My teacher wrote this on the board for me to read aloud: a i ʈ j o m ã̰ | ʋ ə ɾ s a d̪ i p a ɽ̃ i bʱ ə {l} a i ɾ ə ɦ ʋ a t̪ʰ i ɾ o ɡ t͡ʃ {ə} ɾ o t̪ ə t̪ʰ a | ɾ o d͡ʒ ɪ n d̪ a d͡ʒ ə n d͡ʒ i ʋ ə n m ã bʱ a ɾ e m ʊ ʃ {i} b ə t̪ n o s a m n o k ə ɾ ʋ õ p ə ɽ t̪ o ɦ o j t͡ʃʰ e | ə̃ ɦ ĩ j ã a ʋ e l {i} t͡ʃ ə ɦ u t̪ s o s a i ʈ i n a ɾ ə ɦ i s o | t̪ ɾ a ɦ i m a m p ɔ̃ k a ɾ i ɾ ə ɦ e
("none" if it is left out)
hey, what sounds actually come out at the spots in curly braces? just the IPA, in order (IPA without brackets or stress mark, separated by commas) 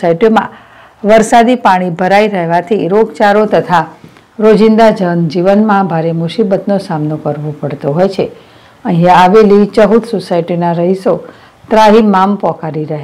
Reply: ɾ, a, i, i